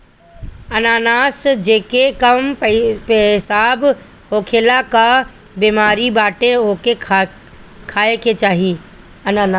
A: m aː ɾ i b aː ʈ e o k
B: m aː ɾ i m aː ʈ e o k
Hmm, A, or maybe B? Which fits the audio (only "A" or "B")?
A